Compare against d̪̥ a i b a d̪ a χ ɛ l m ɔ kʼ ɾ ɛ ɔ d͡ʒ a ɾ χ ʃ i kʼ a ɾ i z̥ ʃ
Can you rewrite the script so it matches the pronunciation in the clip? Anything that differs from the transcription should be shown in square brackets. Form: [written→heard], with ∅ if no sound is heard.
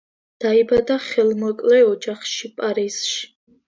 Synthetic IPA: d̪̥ a i b a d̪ a χ ɛ l m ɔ kʼ [ɾ→l] ɛ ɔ d͡ʒ a [ɾ→∅] χ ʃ i [kʼ→pʼ] a ɾ i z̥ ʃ